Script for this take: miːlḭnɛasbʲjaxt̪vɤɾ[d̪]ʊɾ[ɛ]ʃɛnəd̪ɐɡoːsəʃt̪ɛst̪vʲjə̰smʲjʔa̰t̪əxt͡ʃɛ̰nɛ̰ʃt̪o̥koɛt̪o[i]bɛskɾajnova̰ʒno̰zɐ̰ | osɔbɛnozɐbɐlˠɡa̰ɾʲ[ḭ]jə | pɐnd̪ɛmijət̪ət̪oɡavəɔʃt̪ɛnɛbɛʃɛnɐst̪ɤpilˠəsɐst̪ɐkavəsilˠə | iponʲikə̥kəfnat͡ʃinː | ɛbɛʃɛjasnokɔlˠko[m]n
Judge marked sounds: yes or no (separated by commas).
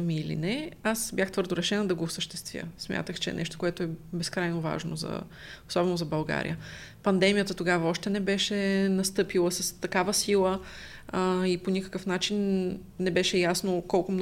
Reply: yes, yes, no, yes, yes